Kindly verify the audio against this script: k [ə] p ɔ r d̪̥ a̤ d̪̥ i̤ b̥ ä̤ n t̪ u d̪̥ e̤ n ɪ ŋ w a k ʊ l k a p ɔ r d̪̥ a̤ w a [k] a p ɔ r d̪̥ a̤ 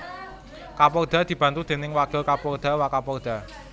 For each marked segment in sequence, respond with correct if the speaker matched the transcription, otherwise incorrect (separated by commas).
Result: incorrect, correct